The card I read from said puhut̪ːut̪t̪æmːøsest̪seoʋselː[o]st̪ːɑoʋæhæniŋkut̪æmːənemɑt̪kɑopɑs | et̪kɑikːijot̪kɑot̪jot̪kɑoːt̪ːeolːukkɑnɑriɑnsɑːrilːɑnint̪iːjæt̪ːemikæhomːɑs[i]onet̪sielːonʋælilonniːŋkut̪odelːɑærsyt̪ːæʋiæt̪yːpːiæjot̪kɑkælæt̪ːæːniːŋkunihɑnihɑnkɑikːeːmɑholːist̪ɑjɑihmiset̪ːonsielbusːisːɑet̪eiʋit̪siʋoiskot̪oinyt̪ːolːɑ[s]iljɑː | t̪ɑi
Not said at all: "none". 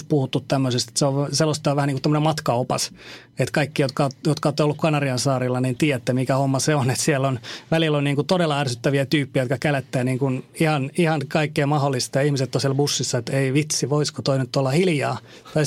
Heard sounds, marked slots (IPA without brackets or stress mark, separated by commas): o, e, h